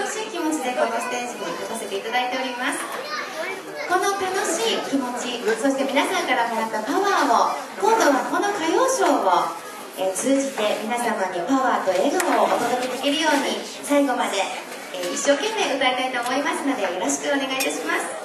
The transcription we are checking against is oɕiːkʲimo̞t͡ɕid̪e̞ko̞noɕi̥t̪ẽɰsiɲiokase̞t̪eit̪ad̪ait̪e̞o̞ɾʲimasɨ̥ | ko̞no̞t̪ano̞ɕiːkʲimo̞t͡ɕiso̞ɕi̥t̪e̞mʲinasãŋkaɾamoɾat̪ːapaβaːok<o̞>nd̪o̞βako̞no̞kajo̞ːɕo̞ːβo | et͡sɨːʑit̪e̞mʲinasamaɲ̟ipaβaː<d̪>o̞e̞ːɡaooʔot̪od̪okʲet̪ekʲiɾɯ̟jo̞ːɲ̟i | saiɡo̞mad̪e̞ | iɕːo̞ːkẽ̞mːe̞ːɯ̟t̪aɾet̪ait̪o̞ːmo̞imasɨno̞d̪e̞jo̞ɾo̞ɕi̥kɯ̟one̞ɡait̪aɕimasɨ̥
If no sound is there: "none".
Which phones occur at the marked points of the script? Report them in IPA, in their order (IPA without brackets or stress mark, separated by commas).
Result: õ̞, t̪